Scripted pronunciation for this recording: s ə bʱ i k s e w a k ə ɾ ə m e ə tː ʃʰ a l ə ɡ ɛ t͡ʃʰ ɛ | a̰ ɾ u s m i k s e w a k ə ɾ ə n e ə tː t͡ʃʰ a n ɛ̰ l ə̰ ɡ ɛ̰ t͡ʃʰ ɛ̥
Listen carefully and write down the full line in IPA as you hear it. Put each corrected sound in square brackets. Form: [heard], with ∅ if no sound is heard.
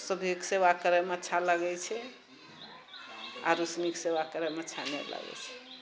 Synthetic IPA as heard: s ə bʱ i k s e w a k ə ɾ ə m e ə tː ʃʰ a l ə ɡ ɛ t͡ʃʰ ɛ | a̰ ɾ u s m i k s e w a k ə ɾ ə [m] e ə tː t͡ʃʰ a n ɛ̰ l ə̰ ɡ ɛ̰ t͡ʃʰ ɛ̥

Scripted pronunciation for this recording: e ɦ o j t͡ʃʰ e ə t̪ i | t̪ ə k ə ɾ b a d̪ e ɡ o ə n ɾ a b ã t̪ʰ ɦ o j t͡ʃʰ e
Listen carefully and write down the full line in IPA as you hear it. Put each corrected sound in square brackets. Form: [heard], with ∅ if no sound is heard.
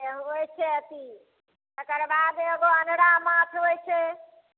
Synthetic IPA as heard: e ɦ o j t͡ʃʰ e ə t̪ i | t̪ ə k ə ɾ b a d̪ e ɡ o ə n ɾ a [m] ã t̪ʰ ɦ o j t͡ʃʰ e

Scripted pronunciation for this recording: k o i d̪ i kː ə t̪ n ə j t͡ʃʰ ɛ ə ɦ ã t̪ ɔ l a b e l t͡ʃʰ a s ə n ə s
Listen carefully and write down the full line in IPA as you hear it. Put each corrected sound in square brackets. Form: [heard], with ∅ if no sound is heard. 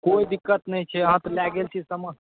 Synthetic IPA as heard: k o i d̪ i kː ə t̪ n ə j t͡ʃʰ ɛ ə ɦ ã t̪ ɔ l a [ɡ] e l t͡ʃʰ [i] s ə [m] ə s

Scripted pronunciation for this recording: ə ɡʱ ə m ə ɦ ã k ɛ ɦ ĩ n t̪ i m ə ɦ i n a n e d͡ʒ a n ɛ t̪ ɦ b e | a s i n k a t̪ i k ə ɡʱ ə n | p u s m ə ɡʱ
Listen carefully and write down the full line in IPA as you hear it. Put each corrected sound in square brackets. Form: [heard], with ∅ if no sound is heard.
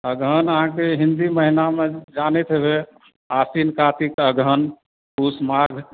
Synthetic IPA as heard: ə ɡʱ ə [n] ə ɦ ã k [e] ɦ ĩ n [d̪] i m ə ɦ i n a [m] e d͡ʒ a n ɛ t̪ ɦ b e | a s i n k a t̪ i k ə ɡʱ ə n | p u s m [a] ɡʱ

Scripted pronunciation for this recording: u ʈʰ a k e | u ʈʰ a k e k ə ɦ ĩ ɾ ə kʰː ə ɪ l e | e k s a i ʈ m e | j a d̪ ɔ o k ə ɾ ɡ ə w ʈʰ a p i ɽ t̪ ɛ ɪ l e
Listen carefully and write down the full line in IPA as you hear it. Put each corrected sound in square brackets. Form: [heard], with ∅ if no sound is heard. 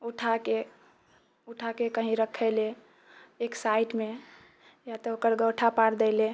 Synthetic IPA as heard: u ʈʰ a k e | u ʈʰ a k e k ə ɦ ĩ ɾ ə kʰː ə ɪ l e | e k s a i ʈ m e | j a [t̪] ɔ o k ə ɾ ɡ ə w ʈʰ a p [a] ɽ [d̪] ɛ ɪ l e

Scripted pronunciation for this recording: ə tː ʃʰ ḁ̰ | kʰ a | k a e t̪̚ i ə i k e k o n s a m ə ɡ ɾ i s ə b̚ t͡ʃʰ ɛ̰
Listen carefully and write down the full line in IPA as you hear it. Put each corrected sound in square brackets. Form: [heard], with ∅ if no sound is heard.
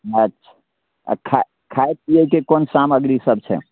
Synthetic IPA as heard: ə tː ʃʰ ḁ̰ | kʰ a | [kʰ] a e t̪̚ i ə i k e k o n s a m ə ɡ ɾ i s ə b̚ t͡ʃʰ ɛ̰

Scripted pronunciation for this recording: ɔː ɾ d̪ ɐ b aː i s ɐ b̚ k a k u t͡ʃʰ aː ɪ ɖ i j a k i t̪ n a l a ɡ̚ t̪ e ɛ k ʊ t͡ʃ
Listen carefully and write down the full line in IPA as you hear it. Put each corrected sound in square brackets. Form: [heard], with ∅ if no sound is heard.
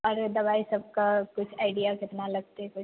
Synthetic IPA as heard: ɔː ɾ d̪ ɐ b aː i s ɐ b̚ k a k [ʊ] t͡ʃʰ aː ɪ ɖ i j a k [ɪ] t̪ n a l [ɐ] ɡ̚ t̪ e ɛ k ʊ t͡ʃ

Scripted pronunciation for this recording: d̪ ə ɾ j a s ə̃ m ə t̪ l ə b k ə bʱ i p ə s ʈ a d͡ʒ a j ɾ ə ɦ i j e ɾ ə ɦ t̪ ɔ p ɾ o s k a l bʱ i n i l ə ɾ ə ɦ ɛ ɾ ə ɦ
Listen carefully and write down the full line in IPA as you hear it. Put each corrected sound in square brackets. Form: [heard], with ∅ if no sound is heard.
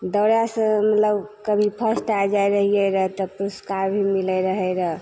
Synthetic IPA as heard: d̪ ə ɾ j a s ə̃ m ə t̪ l ə b k ə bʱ i [pʰ] ə s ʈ a d͡ʒ a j ɾ ə ɦ i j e ɾ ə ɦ t̪ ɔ p ɾ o s k a [ɾ] bʱ i [m] i l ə ɾ ə ɦ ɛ ɾ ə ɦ

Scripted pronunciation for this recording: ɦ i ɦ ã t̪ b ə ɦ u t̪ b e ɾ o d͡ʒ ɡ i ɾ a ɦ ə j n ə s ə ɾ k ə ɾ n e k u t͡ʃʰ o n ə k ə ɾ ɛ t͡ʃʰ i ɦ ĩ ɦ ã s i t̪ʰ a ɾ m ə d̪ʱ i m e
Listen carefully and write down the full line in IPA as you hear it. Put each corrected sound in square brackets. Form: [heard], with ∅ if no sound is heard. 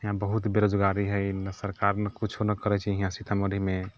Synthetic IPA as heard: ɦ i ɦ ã [∅] b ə ɦ u t̪ b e ɾ o d͡ʒ ɡ [a] ɾ [i] ɦ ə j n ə s ə ɾ k [a] ɾ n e k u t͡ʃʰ o n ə k ə ɾ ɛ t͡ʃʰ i ɦ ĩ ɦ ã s i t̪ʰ a [∅] m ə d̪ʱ i m e

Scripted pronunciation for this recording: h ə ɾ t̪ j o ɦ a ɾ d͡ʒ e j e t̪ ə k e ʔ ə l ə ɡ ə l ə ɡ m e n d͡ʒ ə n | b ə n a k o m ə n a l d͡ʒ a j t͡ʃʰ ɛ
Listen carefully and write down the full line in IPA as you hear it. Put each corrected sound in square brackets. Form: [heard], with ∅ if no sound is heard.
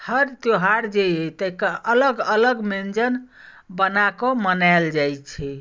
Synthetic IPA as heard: h ə ɾ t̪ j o ɦ a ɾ d͡ʒ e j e t̪ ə k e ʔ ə l ə ɡ ə l ə ɡ m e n d͡ʒ ə n | b ə n a k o m ə n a l d͡ʒ a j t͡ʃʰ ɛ

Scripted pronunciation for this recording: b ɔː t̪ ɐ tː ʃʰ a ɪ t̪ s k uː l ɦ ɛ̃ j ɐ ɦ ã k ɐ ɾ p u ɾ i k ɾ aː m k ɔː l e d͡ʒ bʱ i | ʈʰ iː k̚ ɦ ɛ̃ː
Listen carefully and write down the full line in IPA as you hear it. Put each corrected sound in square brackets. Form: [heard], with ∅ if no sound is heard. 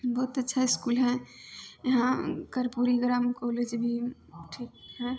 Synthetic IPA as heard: b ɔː t̪ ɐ tː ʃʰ a ɪ [∅] s k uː l ɦ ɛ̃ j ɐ ɦ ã k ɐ ɾ p u ɾ i [ɡ] ɾ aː m k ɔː l e d͡ʒ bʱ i | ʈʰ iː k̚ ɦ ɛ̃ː

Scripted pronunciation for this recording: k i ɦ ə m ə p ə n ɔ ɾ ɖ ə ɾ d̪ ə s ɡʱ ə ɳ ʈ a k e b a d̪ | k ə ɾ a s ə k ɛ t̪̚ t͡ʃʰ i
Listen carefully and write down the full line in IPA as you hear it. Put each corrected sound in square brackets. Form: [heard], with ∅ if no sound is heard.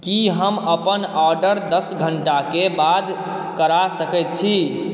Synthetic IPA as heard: k i ɦ ə m ə p ə n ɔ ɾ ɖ ə ɾ d̪ ə s ɡʱ ə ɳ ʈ a k e b a d̪ | k ə ɾ a s ə k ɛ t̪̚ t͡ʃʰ i

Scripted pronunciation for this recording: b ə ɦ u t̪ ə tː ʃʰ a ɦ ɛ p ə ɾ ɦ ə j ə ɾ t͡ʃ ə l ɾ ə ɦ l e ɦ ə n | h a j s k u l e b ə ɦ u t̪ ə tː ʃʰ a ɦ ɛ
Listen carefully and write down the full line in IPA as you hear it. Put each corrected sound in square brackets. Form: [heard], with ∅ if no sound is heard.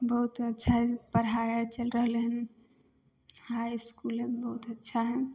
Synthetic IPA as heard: b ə ɦ u t̪ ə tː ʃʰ a ɦ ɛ p ə ɾ ɦ [a] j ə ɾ t͡ʃ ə l ɾ ə ɦ l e ɦ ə n | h a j s k u l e b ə ɦ u t̪ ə tː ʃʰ a ɦ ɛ

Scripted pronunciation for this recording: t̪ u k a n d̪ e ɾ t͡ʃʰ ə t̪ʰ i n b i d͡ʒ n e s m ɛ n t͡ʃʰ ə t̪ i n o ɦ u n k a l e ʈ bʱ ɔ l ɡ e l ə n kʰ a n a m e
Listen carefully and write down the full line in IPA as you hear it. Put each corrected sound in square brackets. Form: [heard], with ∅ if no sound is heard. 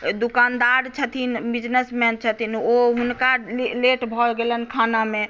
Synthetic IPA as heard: [d̪] u k a n d̪ [a] ɾ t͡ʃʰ ə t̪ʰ i n b i d͡ʒ n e s m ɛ n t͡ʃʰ ə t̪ i n o ɦ u n k a l e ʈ bʱ ɔ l ɡ e l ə n kʰ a n a m e

